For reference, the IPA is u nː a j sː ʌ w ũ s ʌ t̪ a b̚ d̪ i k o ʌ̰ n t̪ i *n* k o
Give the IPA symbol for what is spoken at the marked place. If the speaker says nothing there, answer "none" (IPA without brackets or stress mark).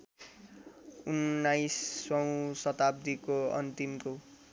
m